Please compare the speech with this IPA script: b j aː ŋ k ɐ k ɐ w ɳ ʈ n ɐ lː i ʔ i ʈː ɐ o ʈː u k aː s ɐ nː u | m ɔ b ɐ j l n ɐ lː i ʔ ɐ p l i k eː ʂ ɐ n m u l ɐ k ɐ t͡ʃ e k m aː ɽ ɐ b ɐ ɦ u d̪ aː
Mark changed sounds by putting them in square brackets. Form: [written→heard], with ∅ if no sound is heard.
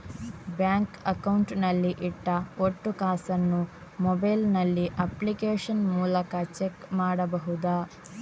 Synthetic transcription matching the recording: b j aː ŋ k ɐ k ɐ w ɳ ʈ n ɐ lː i ʔ i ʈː ɐ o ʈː u k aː s ɐ nː u | m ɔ b ɐ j l n ɐ lː i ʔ ɐ p l i k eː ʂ ɐ n m [u→uː] l ɐ k ɐ t͡ʃ e k m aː ɽ ɐ b ɐ ɦ u d̪ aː

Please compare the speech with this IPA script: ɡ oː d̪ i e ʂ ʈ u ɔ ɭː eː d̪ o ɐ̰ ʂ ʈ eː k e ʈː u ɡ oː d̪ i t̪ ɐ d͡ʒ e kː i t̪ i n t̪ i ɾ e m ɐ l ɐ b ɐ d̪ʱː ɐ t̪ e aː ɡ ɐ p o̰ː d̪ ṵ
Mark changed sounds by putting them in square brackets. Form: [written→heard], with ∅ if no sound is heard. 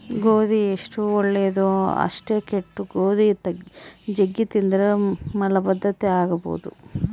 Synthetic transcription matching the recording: ɡ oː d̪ i e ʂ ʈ u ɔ ɭː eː d̪ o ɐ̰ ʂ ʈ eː k e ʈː u ɡ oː d̪ i t̪ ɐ d͡ʒ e [kː→ɡː] i t̪ i n [t̪→d̪] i ɾ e m ɐ l ɐ b ɐ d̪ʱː ɐ t̪ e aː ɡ ɐ [p→b] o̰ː d̪ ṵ

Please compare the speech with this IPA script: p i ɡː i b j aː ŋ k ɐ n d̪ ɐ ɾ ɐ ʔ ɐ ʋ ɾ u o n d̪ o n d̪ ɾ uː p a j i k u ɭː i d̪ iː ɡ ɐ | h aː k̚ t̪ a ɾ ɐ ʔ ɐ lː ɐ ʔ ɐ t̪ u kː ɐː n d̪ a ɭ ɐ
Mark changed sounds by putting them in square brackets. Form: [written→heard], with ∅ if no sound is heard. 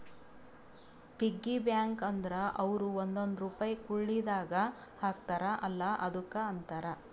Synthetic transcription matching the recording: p i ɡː i b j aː ŋ k ɐ n d̪ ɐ ɾ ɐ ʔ ɐ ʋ ɾ u o n d̪ o n d̪ ɾ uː p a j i k u ɭː i d̪ [iː→aː] ɡ ɐ | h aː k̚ t̪ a ɾ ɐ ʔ ɐ lː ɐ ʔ ɐ [t̪→d̪] u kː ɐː n [d̪→t̪] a [ɭ→ɾ] ɐ

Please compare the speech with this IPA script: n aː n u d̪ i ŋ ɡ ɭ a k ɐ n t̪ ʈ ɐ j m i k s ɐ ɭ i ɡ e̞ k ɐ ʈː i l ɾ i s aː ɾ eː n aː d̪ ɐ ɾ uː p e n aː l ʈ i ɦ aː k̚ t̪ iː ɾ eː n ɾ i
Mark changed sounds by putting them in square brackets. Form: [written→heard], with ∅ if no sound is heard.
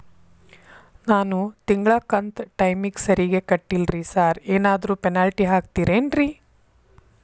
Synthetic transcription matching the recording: n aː n u [d̪→t̪] i ŋ ɡ ɭ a k ɐ n t̪ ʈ ɐ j m i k s ɐ [ɭ→ɾ] i ɡ e̞ k ɐ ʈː i l ɾ i s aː ɾ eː n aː d̪ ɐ ɾ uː p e n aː l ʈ i ɦ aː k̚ t̪ iː ɾ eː n ɾ i

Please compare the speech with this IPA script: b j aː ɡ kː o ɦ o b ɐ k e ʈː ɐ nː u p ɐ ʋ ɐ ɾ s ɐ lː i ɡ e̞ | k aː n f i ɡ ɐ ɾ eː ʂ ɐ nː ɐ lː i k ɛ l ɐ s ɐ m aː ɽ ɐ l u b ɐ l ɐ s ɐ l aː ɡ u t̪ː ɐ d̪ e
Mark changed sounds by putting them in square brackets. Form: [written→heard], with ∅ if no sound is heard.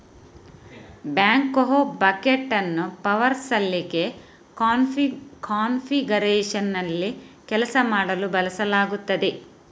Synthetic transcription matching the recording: b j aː [ɡ→ŋ] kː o ɦ o b ɐ k e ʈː ɐ nː u p ɐ ʋ ɐ ɾ s ɐ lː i ɡ e̞ | k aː n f i ɡ ɐ ɾ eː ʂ ɐ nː ɐ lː i k ɛ l ɐ s ɐ m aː ɽ ɐ l u b ɐ l ɐ s ɐ l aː ɡ u t̪ː ɐ d̪ e

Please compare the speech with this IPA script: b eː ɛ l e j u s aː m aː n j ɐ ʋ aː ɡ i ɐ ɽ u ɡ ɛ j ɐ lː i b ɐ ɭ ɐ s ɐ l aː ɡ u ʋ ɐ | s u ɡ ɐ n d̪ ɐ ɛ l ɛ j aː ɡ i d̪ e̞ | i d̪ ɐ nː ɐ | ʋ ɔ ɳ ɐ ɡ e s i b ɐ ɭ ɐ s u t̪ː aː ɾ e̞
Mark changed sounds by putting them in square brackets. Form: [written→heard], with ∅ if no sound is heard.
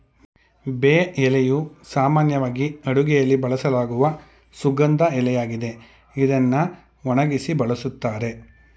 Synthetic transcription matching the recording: b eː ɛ l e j u s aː m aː n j ɐ ʋ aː ɡ i ɐ ɽ u ɡ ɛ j ɐ lː i b ɐ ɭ ɐ s ɐ l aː ɡ u ʋ ɐ | s u ɡ ɐ n d̪ ɐ ɛ l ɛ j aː ɡ i d̪ e̞ | i d̪ ɐ nː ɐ | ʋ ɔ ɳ ɐ ɡ [e→i] s i b ɐ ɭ ɐ s u t̪ː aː ɾ e̞

